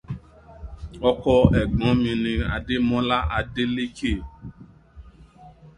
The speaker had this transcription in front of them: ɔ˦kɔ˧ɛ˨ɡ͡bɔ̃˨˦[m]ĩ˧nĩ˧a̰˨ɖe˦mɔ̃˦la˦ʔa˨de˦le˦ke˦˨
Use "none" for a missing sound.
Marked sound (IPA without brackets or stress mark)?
m